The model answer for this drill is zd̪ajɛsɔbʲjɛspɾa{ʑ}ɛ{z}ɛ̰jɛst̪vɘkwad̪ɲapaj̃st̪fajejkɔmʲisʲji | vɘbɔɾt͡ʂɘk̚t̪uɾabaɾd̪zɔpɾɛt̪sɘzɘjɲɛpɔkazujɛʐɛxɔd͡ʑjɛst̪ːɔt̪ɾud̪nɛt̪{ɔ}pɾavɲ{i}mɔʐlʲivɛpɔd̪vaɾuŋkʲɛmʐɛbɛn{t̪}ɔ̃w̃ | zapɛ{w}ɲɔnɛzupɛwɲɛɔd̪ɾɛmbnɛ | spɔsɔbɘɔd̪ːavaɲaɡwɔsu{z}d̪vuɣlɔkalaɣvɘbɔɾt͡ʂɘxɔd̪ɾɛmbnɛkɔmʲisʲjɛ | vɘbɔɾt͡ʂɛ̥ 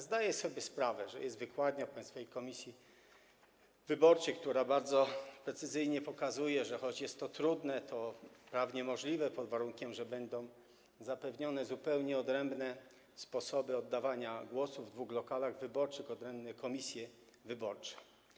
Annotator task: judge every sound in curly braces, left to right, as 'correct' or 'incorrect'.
incorrect: v, incorrect: ʐ, correct, incorrect: ɛ, incorrect: d̪, incorrect: v, incorrect: v

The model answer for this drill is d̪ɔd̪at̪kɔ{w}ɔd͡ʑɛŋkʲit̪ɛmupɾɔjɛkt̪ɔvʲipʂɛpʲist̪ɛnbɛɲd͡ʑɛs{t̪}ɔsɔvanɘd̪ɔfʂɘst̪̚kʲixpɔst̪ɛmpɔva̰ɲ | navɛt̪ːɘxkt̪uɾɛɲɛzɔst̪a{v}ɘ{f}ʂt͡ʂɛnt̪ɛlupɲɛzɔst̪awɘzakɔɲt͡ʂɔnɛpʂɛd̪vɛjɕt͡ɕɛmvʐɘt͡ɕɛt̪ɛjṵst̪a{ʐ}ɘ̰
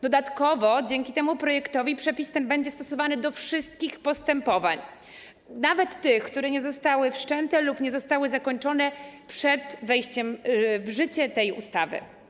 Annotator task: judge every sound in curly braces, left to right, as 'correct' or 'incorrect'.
incorrect: v, correct, incorrect: w, correct, incorrect: v

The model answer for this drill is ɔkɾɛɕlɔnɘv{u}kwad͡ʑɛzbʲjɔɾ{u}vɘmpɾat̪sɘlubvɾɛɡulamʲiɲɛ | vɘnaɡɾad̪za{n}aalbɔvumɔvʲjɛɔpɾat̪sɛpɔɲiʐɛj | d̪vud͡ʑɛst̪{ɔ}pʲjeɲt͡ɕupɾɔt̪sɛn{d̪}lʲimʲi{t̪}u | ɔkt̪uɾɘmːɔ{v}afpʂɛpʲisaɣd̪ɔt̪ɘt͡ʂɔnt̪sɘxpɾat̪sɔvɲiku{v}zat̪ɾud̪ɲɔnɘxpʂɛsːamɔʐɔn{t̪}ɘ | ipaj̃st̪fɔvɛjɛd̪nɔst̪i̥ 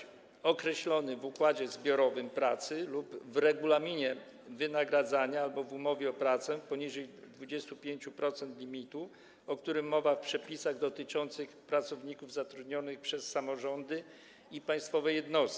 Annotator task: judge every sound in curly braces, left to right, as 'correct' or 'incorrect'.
correct, incorrect: ɔ, incorrect: ɲ, incorrect: u, incorrect: t̪, correct, correct, correct, incorrect: d̪

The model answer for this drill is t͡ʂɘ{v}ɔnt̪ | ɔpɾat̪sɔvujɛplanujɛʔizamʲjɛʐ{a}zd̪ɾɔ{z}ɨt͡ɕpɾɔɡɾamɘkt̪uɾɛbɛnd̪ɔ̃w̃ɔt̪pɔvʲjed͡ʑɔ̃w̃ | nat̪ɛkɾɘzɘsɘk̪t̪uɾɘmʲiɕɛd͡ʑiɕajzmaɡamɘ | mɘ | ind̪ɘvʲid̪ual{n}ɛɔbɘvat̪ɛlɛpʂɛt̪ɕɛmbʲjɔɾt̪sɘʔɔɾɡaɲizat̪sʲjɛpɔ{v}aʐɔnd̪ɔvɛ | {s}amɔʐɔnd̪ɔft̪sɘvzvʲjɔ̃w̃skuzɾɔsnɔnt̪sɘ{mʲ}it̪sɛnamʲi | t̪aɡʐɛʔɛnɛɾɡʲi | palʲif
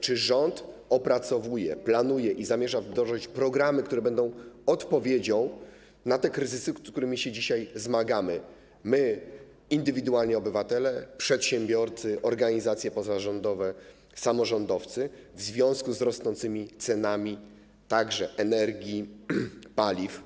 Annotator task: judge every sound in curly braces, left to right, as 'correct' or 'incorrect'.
incorrect: ʐ, correct, incorrect: ʐ, incorrect: ɲ, incorrect: z, correct, correct

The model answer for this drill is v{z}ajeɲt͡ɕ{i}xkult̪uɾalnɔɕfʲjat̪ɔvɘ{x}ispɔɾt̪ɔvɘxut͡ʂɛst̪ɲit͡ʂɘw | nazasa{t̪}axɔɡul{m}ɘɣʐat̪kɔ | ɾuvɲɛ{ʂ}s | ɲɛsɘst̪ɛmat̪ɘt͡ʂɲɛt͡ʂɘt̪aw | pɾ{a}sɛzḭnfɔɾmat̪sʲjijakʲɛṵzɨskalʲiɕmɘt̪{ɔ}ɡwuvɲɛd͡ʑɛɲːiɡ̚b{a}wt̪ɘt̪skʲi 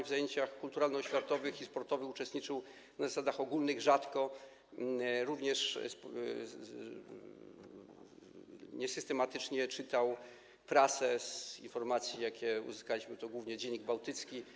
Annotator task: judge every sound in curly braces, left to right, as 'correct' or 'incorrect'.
correct, incorrect: a, correct, incorrect: d̪, incorrect: n, correct, correct, correct, correct

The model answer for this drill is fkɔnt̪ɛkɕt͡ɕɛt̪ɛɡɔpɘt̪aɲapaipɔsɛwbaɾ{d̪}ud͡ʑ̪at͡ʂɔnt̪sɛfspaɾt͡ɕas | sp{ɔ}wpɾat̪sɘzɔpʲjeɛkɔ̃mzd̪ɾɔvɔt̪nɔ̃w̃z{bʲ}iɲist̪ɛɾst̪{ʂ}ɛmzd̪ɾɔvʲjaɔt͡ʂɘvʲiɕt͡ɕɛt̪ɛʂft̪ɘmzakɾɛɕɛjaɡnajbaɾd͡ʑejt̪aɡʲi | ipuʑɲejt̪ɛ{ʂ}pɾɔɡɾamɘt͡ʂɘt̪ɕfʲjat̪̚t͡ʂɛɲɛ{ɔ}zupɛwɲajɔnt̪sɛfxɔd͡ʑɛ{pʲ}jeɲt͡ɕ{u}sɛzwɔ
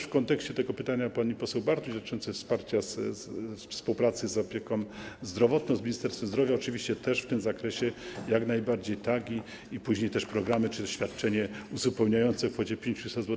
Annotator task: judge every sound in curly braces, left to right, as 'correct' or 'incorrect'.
incorrect: t̪, incorrect: u, incorrect: mʲ, incorrect: f, correct, incorrect: u, correct, correct

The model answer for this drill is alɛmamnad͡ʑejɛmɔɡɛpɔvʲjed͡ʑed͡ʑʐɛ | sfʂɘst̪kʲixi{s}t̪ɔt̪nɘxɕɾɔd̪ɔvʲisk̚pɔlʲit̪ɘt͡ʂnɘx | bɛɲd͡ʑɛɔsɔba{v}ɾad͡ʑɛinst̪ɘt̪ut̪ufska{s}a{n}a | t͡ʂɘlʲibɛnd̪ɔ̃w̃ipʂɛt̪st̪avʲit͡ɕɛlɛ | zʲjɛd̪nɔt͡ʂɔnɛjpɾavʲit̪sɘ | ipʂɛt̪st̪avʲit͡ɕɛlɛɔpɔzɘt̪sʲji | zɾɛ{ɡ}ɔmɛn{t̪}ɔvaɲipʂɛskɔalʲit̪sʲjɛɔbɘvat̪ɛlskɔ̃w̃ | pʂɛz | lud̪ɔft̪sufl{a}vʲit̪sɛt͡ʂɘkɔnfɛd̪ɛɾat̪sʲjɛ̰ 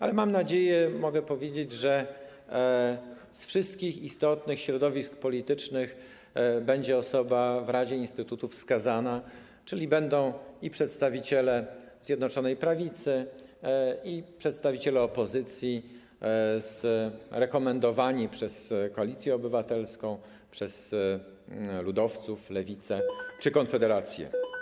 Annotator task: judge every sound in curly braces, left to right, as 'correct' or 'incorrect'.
correct, correct, incorrect: z, correct, incorrect: k, incorrect: d̪, incorrect: ɛ

